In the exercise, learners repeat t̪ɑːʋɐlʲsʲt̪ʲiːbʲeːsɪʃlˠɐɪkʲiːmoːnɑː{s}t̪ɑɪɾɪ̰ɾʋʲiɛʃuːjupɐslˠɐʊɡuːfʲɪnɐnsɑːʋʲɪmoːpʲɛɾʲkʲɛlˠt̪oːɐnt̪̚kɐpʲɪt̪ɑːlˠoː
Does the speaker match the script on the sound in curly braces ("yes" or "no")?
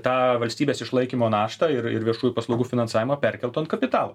no